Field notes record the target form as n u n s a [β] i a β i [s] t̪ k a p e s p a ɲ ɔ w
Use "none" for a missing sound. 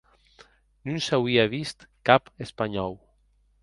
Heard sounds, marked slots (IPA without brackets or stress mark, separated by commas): w, s